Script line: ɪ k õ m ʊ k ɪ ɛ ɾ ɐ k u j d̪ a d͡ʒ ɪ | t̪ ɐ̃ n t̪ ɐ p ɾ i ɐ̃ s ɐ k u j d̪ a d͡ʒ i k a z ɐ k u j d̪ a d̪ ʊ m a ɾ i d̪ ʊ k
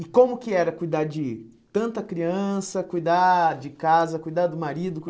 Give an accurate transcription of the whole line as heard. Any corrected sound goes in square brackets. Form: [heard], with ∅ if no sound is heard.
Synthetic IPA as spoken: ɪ k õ m ʊ k ɪ ɛ ɾ ɐ k u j d̪ a d͡ʒ ɪ | t̪ ɐ̃ n t̪ ɐ [k] ɾ i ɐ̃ s ɐ k u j d̪ a d͡ʒ [ɪ] k a z ɐ k u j d̪ a d̪ ʊ m a ɾ i d̪ ʊ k